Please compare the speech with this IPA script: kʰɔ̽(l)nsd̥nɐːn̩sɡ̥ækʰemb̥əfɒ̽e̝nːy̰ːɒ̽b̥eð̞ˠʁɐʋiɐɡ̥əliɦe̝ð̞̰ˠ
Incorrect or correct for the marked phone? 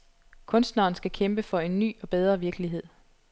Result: incorrect: none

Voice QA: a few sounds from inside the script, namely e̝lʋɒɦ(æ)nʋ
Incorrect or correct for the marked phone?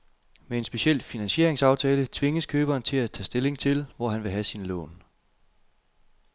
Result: correct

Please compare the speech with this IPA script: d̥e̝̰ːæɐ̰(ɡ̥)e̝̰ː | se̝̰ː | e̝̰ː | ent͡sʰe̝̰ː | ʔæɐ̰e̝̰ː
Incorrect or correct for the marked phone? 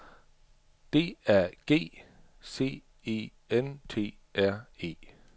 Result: correct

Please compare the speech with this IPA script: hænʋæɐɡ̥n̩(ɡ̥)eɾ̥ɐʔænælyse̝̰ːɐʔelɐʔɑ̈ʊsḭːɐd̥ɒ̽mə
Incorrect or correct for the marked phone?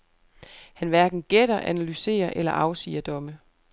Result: correct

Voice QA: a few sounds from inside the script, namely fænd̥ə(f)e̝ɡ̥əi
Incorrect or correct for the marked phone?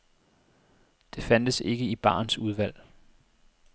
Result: incorrect: s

